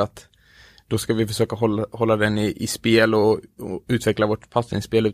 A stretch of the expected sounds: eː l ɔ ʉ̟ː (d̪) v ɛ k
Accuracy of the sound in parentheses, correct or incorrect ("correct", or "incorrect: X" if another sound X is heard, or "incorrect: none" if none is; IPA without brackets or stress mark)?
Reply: incorrect: t̪